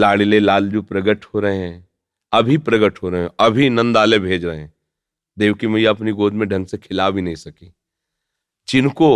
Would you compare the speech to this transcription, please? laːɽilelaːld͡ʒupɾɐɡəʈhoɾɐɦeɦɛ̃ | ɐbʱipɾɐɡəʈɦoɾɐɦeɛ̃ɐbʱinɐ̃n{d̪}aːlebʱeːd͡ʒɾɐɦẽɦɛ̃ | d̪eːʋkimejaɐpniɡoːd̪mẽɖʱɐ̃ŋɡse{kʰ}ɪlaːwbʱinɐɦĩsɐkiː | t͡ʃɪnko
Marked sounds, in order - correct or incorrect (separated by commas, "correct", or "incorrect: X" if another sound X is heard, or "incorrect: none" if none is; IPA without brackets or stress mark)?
correct, correct